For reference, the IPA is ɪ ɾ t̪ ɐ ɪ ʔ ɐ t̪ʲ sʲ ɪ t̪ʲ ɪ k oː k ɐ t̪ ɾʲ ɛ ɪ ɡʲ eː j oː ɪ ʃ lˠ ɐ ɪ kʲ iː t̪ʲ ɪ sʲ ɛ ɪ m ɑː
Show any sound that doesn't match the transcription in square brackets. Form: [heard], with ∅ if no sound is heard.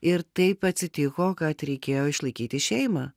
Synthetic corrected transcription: ɪ ɾ t̪ ɐ ɪ [p] ɐ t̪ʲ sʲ ɪ t̪ʲ ɪ k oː k ɐ t̪ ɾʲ ɛ ɪ [kʲ] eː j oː ɪ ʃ lˠ ɐ ɪ kʲ iː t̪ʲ ɪ [ʃʲ] ɛ ɪ m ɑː